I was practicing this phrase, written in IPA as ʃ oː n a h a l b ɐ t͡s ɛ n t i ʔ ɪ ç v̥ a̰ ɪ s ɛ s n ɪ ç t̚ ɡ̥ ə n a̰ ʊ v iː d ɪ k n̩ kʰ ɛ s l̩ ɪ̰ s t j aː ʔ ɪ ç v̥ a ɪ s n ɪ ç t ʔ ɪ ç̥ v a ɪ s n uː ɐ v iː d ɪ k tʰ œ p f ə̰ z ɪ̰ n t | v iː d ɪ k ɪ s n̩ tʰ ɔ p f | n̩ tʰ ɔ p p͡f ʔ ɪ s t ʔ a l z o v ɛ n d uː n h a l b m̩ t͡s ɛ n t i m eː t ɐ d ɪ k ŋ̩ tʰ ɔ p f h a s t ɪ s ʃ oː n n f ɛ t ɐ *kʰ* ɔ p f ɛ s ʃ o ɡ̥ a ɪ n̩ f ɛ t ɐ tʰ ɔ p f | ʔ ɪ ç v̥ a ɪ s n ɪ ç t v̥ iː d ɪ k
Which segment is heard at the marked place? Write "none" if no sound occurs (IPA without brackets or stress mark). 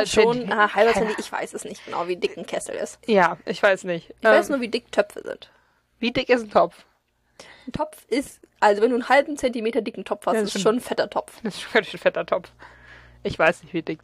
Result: tʰ